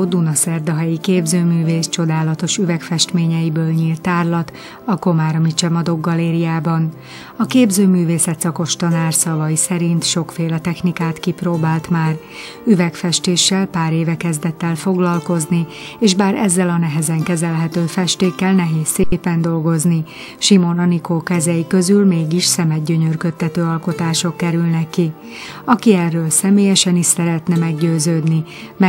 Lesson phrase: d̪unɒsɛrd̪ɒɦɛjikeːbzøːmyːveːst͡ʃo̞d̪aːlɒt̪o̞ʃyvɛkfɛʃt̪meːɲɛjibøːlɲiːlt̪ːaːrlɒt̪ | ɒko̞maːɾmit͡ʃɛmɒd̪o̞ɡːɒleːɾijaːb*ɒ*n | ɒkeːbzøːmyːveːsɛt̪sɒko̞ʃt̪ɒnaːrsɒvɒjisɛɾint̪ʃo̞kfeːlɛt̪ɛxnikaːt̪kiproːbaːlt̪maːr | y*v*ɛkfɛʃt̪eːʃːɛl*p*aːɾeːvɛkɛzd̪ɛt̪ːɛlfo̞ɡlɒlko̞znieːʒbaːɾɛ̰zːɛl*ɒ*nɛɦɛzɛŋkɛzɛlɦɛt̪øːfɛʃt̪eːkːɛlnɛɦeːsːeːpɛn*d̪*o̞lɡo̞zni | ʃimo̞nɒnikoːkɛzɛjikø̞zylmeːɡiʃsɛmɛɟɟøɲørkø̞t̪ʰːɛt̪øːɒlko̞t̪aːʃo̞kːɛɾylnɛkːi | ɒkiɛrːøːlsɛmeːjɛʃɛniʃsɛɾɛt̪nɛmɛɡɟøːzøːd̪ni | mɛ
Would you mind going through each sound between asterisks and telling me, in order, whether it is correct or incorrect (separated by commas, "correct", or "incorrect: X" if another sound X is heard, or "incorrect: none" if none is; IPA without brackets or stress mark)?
correct, correct, correct, correct, correct